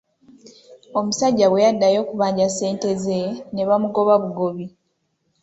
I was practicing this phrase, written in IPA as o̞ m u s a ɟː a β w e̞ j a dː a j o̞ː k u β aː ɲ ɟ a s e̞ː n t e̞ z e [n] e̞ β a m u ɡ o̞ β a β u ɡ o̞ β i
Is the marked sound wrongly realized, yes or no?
no